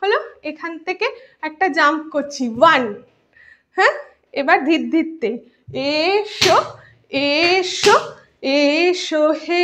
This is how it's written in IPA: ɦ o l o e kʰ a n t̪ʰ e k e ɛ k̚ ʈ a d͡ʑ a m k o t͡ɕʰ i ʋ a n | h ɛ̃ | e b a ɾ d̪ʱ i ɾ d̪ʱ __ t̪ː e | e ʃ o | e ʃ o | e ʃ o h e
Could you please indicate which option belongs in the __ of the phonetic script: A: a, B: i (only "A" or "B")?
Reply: B